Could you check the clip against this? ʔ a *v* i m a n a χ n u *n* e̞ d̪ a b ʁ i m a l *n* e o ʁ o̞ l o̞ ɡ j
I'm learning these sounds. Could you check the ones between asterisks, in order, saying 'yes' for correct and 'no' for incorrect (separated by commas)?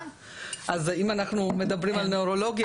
no, no, yes